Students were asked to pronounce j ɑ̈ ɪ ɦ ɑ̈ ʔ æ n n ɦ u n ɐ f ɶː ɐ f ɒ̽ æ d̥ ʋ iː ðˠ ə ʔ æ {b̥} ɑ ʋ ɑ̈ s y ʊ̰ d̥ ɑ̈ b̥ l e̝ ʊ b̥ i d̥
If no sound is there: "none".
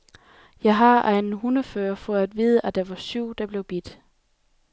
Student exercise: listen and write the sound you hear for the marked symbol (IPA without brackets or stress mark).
d̥